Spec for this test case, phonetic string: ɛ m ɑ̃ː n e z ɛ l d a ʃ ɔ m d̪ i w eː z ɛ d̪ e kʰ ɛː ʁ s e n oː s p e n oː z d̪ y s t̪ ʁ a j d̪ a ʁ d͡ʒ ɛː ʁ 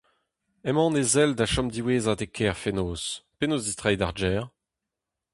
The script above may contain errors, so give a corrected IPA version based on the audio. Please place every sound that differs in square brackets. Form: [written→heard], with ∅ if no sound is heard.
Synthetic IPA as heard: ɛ m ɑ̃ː n e z ɛ l d a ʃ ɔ m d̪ i w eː z [ɛ→a] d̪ e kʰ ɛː ʁ [s→f] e n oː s p e n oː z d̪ [y→i] s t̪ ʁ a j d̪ a ʁ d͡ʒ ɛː ʁ